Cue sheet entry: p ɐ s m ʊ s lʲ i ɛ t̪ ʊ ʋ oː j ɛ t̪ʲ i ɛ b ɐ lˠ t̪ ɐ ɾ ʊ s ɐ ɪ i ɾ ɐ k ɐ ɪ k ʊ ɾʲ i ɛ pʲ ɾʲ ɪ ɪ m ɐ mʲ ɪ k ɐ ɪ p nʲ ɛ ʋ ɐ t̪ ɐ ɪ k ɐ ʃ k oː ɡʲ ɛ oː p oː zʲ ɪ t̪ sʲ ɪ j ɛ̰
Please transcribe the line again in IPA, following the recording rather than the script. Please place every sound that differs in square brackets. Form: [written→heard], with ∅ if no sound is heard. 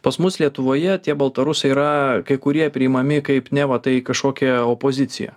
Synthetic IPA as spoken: p ɐ s m ʊ s lʲ i ɛ t̪ ʊ ʋ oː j ɛ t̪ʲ i ɛ b ɐ lˠ t̪ ɐ ɾ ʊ s ɐ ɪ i ɾ ɐ k ɐ ɪ k ʊ ɾʲ i ɛ pʲ ɾʲ ɪ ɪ m ɐ mʲ ɪ k ɐ ɪ p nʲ ɛ ʋ ɐ t̪ ɐ ɪ k ɐ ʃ k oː [ɡʲ→kʲ] ɛ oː p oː zʲ ɪ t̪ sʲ ɪ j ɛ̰